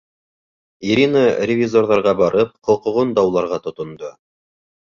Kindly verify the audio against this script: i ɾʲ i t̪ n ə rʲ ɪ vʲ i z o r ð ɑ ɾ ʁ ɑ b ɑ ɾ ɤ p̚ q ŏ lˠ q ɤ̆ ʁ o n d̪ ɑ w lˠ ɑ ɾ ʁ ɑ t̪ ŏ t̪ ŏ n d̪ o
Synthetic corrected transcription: i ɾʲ i n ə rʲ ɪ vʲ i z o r ð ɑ ɾ ʁ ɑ b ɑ ɾ ɤ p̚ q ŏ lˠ q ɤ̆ ʁ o n d̪ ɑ w lˠ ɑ ɾ ʁ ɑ t̪ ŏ t̪ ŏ n d̪ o